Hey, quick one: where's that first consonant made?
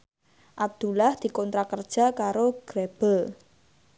throat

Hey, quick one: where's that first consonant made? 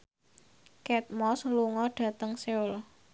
velum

